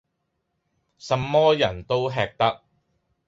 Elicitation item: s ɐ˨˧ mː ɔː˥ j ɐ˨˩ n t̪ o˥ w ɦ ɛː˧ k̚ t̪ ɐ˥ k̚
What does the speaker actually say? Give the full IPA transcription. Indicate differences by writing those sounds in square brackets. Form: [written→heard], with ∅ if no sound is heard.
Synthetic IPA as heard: s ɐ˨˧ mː ɔː˥ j ɐ˨˩ n t̪ o˥ w ɦ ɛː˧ k̚ t̪ ɐ˥ k̚